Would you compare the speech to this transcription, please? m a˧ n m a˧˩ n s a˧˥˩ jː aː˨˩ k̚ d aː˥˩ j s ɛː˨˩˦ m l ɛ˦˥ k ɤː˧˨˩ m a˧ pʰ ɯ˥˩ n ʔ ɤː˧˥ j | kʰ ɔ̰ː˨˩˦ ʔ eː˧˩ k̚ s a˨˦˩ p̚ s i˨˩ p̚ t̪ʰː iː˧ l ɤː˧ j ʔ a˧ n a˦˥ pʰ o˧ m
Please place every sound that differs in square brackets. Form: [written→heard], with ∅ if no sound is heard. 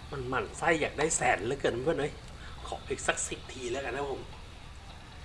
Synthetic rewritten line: m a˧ n m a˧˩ n s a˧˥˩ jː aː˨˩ k̚ d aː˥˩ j s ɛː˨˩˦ [m→n] l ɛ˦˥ k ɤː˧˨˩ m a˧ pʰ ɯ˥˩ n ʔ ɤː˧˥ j | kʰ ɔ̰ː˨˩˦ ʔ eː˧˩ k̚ s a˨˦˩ [p̚→k̚] s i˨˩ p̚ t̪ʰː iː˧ l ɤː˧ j [ʔ→k] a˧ n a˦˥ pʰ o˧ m